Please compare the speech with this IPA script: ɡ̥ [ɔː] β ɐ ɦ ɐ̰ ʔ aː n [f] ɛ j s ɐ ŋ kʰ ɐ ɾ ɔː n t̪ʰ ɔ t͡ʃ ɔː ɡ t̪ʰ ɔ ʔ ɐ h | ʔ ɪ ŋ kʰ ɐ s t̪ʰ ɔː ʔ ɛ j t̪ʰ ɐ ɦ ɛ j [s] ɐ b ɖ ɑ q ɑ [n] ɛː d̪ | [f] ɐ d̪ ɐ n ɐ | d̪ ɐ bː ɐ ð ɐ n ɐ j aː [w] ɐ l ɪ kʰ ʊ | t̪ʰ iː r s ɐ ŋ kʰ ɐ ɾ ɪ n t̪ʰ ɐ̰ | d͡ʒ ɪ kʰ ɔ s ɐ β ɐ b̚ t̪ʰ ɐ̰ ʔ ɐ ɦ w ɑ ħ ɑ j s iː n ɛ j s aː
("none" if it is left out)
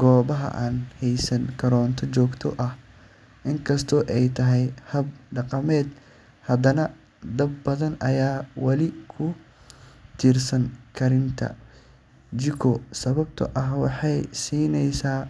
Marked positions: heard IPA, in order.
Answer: ɔː, h, h, m, h, w

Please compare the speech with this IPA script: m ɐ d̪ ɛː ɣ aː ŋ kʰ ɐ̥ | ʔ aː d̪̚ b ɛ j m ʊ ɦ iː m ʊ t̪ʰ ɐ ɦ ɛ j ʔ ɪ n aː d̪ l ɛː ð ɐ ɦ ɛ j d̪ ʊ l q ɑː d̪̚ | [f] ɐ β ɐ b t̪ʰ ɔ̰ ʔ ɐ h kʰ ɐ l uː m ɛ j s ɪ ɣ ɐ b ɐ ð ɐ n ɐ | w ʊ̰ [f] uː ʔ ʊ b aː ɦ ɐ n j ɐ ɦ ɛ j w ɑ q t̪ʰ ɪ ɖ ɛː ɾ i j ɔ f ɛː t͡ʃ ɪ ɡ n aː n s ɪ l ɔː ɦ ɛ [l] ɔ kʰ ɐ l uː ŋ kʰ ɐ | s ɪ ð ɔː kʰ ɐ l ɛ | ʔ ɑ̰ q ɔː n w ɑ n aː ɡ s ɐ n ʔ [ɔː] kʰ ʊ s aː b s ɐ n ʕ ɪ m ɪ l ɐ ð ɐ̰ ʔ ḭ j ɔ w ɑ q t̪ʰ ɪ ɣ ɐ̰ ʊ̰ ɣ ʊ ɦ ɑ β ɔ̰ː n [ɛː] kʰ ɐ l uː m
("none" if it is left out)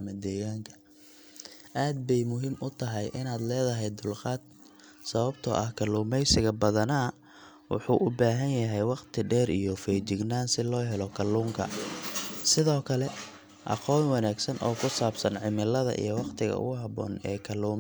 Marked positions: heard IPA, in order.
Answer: s, ħ, l, ɔː, ɛː

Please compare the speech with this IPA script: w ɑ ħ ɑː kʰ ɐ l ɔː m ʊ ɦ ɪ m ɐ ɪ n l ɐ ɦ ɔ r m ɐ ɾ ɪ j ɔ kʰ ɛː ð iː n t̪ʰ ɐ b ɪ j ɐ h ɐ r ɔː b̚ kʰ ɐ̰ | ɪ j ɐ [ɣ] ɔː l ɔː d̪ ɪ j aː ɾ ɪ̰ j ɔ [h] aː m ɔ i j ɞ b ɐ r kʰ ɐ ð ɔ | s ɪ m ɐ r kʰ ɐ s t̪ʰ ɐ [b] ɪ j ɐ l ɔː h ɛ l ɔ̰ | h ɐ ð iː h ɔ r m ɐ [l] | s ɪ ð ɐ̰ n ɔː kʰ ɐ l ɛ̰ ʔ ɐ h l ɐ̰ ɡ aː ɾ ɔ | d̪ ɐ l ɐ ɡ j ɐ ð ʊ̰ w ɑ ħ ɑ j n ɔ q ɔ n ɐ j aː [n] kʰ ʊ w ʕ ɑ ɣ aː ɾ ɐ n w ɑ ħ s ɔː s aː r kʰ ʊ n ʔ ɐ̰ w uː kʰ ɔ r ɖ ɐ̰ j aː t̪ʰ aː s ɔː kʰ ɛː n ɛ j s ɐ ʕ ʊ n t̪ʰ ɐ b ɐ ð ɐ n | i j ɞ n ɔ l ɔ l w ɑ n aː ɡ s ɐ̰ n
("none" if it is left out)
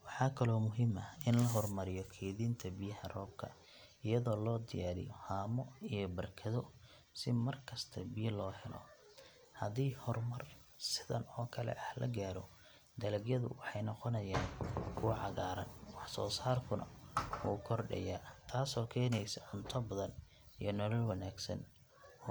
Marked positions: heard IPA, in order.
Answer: ð, h, b, r, n

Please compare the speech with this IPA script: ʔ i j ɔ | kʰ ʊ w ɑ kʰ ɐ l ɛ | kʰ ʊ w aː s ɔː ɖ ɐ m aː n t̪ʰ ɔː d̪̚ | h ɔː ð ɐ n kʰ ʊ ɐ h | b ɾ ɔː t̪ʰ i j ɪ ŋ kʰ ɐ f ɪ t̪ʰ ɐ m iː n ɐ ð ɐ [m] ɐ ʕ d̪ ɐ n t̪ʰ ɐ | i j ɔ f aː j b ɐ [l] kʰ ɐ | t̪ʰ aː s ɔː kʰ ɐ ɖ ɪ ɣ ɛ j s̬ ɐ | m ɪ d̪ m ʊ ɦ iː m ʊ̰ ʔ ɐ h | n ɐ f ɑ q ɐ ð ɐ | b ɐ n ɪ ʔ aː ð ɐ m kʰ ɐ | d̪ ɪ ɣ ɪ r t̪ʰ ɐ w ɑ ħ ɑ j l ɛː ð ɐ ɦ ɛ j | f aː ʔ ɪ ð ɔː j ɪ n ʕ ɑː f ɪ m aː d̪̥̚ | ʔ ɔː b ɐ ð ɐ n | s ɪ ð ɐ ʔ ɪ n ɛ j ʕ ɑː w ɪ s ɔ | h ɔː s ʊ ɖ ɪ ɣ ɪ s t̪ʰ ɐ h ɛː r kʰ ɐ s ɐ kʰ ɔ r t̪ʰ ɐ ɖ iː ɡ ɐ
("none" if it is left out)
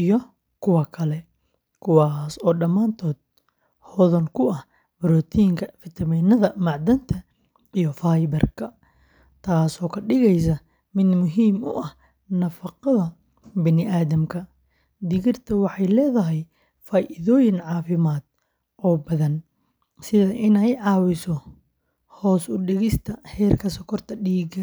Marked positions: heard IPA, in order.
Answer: m, r

